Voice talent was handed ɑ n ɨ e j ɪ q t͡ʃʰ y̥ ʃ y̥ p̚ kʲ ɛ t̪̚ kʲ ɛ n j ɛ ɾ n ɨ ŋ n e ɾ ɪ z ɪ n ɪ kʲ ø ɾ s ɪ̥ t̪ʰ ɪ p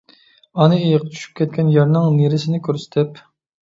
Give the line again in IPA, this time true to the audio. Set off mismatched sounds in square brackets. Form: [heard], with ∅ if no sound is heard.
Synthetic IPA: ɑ n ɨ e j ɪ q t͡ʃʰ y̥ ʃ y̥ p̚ kʲ ɛ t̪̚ kʲ ɛ n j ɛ ɾ n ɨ ŋ n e ɾ ɪ [s] ɪ n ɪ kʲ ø ɾ s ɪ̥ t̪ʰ ɪ p